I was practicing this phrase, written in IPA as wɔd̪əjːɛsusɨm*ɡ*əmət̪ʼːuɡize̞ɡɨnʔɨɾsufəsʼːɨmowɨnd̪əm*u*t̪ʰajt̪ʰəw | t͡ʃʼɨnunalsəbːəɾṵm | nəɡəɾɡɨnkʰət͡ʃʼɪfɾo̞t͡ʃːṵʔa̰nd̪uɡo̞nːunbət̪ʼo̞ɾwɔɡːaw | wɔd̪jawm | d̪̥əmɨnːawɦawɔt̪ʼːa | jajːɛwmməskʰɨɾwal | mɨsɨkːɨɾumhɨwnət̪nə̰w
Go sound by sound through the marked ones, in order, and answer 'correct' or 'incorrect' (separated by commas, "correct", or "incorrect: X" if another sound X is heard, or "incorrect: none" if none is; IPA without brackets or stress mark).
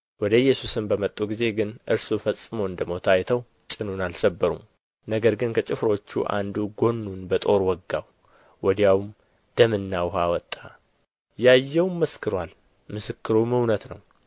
incorrect: b, incorrect: o